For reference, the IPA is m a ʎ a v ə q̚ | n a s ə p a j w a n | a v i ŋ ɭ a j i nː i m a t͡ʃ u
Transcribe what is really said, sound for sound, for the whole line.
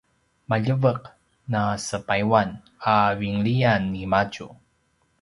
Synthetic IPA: m a ʎ ə v ə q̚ | n a s ə p a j w a n | a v i ŋ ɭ i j a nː i m a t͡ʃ u